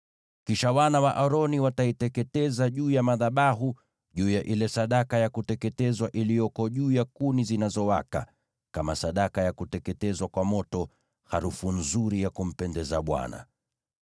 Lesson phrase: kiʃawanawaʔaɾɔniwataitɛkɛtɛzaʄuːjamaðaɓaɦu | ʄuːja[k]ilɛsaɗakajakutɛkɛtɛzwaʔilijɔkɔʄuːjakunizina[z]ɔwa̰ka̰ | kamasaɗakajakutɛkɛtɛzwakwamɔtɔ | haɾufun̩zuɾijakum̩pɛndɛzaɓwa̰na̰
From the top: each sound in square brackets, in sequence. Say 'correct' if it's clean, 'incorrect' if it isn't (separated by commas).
incorrect, correct